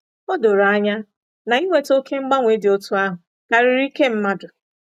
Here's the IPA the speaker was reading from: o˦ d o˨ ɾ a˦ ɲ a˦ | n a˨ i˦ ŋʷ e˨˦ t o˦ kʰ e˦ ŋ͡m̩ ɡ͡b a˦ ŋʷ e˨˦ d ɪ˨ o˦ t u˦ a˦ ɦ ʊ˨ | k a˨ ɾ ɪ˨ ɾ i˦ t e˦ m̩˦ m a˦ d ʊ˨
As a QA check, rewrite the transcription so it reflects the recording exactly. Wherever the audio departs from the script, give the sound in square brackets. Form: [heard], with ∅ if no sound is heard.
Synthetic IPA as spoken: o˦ d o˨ ɾ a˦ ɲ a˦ | n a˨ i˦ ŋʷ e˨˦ t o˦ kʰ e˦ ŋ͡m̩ ɡ͡b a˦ ŋʷ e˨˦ d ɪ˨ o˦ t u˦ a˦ ɦ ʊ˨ | k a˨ ɾ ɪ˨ ɾ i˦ [k] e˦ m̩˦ m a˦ d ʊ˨